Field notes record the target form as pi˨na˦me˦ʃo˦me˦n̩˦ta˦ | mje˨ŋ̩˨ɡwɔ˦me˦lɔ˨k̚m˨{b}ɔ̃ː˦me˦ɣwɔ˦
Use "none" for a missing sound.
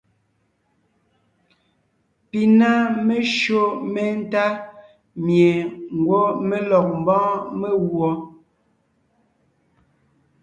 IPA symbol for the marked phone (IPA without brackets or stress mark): b